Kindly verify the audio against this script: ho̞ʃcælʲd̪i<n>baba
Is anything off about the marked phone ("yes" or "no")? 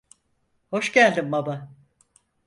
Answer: yes